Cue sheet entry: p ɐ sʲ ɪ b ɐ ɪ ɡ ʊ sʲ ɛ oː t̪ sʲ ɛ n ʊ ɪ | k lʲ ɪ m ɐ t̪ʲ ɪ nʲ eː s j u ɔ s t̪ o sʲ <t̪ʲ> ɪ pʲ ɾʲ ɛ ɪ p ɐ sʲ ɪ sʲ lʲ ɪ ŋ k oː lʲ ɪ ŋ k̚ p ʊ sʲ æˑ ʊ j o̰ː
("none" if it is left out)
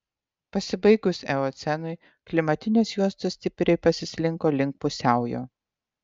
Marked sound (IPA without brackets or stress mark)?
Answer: t̪ʲ